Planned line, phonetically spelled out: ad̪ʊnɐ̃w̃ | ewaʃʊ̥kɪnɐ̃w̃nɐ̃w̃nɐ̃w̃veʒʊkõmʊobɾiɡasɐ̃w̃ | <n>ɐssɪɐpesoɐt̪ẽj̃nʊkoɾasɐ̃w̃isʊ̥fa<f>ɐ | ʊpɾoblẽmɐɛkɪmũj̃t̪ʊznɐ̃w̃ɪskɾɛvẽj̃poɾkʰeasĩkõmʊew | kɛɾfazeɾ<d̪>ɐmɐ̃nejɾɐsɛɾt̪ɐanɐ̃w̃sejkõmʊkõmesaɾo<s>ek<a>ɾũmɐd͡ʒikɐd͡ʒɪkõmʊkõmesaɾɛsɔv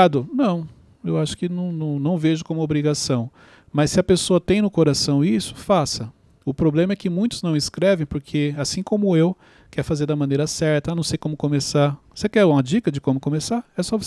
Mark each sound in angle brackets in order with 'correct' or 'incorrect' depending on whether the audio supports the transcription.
incorrect: m, incorrect: s, correct, correct, incorrect: ɛ

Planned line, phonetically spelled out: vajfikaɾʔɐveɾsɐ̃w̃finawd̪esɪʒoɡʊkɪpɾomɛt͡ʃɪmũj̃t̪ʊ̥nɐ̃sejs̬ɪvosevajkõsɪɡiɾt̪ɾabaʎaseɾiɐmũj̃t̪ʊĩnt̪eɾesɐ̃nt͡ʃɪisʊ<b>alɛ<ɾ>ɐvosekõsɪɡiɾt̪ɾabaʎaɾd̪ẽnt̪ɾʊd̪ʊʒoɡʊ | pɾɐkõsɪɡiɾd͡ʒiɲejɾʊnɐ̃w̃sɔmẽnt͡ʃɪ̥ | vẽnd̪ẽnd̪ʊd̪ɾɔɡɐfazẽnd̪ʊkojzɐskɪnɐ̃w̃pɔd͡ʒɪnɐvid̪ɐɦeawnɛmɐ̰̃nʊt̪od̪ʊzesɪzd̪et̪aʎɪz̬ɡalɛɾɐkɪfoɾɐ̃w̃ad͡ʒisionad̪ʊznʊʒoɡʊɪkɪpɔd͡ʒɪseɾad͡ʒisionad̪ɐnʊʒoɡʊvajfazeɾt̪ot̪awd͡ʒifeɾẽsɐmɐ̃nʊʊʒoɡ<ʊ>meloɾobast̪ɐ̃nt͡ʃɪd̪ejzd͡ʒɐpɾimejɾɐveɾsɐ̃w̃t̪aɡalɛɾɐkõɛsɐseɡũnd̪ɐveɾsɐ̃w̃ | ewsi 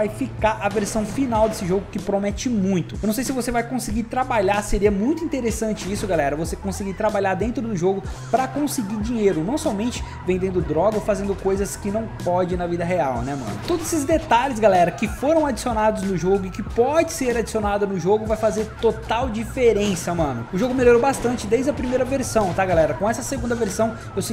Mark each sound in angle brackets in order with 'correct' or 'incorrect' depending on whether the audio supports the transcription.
incorrect: ɡ, correct, correct

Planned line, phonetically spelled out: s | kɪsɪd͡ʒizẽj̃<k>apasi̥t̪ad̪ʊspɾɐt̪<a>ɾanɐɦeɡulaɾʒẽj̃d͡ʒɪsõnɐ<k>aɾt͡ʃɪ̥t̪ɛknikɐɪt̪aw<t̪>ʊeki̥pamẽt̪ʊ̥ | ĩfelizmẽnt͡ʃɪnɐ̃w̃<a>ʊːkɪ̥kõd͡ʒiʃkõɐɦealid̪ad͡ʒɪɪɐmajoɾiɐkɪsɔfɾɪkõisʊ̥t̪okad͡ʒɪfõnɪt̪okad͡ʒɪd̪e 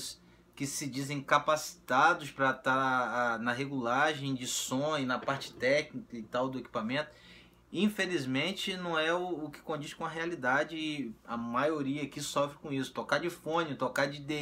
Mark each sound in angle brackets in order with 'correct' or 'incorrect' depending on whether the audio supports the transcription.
correct, correct, incorrect: p, incorrect: d̪, incorrect: ɛ

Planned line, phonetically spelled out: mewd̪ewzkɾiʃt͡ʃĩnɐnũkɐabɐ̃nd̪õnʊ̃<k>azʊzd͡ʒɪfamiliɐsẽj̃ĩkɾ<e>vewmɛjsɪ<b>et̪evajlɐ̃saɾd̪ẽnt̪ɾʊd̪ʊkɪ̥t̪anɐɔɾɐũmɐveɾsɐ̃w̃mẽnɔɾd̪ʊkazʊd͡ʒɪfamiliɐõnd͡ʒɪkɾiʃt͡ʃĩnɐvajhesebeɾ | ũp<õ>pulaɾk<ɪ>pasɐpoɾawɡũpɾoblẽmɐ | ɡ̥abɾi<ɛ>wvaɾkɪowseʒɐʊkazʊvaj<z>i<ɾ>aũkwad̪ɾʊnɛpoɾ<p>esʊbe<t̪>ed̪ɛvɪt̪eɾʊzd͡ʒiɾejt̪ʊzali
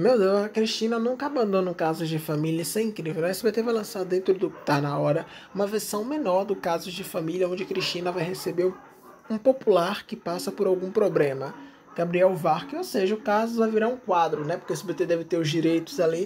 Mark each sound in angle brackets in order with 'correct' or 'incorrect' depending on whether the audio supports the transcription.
correct, incorrect: i, correct, incorrect: o, correct, correct, incorrect: v, correct, incorrect: k, correct

